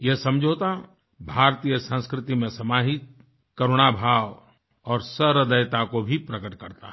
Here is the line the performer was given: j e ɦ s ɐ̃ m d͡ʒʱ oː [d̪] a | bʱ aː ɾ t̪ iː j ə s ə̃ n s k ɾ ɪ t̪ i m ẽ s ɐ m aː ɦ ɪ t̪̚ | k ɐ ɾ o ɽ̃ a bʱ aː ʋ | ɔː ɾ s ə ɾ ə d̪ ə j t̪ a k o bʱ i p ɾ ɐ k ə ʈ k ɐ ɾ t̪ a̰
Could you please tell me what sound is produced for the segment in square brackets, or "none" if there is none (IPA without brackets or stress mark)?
t̪